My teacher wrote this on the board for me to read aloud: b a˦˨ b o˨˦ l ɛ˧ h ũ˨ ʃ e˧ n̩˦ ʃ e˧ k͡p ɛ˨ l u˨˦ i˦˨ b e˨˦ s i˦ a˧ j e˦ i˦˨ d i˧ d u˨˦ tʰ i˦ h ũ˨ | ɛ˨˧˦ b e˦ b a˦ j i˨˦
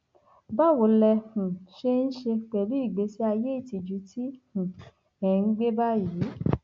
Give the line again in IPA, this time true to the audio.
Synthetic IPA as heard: b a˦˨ w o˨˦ l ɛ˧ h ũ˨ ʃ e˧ n̩˦ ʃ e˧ k͡p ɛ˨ l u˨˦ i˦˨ ɡ͡b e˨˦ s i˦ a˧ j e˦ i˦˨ t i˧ d͡ʒ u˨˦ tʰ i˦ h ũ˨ | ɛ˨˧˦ ɡ͡b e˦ b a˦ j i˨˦